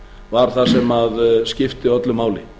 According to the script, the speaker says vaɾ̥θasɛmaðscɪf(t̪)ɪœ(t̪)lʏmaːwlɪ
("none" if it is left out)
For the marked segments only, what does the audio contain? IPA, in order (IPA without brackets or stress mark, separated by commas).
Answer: t̪, t̪